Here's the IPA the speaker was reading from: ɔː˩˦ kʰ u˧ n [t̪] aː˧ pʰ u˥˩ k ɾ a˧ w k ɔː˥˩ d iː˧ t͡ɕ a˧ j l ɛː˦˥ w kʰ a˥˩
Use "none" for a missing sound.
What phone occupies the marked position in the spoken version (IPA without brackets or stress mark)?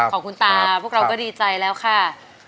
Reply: t̪